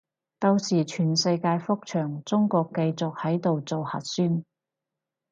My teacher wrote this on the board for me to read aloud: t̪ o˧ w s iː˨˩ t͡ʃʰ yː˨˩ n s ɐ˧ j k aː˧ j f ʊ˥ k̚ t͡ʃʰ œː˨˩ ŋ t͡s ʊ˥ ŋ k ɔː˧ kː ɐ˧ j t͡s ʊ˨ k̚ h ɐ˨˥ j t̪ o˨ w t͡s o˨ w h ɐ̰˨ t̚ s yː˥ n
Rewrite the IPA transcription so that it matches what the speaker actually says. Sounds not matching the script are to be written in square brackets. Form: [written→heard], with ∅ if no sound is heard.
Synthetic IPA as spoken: t̪ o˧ w s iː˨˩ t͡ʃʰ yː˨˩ n s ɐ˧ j k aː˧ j f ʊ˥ k̚ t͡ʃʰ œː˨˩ ŋ t͡s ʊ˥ ŋ k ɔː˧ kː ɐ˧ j t͡s ʊ˨ k̚ h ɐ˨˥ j t̪ o˨ w t͡s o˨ w h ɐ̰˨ t̚ s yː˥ n